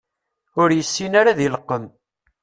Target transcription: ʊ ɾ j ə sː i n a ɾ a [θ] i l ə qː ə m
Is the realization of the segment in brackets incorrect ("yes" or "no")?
yes